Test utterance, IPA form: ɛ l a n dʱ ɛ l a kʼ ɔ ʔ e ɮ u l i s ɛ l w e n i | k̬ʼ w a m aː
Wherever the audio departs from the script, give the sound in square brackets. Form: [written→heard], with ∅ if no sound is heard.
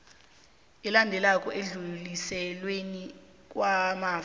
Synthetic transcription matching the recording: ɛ l a n dʱ ɛ l a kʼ ɔ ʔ e ɮ u l i s ɛ l w e n i | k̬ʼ w a m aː